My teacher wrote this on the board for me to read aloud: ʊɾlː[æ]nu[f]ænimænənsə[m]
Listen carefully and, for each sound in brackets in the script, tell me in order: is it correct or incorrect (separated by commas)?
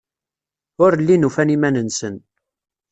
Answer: incorrect, correct, incorrect